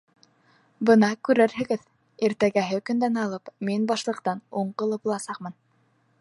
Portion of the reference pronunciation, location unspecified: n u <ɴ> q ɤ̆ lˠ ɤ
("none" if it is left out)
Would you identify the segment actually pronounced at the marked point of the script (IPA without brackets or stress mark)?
ɴ